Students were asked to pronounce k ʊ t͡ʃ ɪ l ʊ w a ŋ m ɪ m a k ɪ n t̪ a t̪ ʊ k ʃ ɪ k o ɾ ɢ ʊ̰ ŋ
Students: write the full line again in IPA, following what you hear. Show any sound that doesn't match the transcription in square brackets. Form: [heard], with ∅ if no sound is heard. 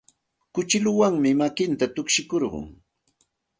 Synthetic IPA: k ʊ t͡ʃ ɪ l ʊ w a ŋ m ɪ m a k ɪ n t̪ a t̪ ʊ k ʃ ɪ k o ɾ ɢ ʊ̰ ŋ